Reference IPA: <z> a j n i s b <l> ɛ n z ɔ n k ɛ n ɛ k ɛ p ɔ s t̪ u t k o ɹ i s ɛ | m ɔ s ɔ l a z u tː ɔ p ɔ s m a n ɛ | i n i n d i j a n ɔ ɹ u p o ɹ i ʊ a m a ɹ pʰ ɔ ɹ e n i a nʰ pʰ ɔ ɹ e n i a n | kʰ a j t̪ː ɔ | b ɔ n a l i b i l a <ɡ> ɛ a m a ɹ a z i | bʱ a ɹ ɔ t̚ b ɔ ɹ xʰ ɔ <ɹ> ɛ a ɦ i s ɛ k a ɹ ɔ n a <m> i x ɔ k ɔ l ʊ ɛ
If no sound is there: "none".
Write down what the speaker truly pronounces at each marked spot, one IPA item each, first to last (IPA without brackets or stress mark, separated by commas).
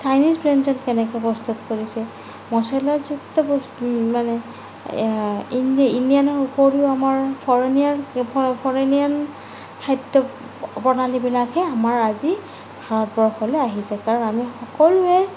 s, ɹ, k, l, m